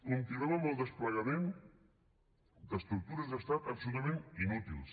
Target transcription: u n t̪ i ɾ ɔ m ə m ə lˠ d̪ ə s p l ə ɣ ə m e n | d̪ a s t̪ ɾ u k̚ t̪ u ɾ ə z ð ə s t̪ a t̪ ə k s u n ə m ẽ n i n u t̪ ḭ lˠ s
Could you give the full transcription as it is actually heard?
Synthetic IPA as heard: u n t̪ i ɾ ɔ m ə m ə lˠ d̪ ə s p l ə ɣ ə m e n | d̪ ə s t̪ ɾ u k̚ t̪ u ɾ ə z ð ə s t̪ a t̪ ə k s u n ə m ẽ n i n u t̪ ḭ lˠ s